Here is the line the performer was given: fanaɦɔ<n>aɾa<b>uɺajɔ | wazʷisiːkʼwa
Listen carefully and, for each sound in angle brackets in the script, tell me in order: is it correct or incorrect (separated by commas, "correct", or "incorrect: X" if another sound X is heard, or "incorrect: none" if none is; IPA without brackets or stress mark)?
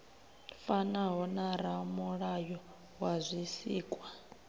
correct, incorrect: m